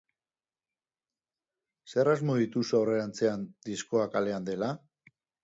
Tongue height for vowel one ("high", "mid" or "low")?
mid